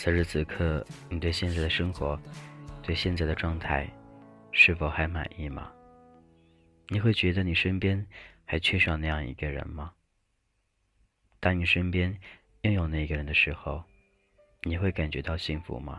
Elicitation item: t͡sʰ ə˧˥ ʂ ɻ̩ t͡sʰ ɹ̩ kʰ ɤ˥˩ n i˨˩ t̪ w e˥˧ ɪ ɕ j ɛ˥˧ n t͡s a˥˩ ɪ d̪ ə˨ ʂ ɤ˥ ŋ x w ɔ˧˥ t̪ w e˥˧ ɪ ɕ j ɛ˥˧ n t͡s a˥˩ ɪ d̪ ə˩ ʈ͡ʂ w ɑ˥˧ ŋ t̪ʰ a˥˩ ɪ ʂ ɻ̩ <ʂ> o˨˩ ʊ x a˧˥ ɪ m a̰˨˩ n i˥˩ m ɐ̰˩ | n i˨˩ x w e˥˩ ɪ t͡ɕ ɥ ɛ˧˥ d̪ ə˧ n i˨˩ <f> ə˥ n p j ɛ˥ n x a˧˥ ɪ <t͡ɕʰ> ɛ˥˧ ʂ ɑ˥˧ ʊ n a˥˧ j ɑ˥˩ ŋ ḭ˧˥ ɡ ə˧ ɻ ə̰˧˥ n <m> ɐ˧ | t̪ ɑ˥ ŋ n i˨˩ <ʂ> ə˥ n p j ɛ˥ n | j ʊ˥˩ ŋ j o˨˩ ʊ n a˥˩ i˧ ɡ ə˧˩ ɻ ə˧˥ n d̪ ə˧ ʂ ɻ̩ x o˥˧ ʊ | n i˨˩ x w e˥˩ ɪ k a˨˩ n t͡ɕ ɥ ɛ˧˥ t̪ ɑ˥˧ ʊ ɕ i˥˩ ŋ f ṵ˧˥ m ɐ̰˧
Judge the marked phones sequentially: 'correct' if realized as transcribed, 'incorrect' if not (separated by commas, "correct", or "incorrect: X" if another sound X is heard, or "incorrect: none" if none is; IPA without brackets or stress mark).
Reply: incorrect: f, incorrect: ʂ, correct, correct, correct